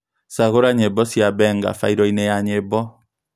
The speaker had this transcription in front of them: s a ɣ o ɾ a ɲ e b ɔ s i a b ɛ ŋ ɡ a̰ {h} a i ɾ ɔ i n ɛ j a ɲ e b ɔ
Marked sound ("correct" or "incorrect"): incorrect